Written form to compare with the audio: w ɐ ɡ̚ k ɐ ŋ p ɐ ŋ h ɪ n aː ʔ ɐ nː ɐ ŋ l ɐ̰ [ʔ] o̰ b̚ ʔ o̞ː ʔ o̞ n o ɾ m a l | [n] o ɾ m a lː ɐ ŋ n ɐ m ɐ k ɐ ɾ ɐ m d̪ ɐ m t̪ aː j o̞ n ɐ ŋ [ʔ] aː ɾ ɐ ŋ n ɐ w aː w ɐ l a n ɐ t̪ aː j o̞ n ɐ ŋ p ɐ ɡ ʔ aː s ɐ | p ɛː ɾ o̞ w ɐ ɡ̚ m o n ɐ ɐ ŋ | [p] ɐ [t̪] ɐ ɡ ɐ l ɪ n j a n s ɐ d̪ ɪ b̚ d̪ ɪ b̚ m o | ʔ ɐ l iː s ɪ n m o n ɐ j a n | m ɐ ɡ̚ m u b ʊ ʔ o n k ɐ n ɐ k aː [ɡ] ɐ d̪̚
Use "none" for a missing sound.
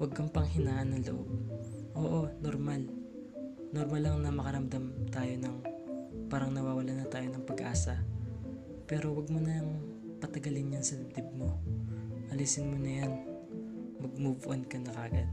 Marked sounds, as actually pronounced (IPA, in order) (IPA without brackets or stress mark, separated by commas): ʔ, n, p, p, t̪, ɡ